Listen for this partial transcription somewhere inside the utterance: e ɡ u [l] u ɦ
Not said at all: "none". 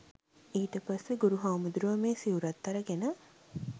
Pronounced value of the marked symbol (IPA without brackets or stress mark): ɾ